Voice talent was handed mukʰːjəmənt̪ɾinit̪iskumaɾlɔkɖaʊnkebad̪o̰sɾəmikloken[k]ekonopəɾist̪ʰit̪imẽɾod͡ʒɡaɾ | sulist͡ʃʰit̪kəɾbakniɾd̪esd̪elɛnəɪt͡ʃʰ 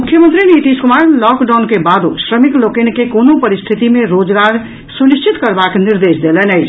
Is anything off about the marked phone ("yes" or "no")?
no